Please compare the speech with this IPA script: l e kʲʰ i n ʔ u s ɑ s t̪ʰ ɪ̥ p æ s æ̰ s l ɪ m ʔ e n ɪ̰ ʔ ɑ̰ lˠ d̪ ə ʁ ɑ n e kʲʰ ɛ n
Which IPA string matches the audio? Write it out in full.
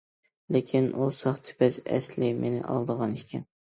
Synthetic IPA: l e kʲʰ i n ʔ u s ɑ χ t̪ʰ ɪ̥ p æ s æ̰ s l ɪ m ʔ e n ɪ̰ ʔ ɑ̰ lˠ d̪ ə ʁ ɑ n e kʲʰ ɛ n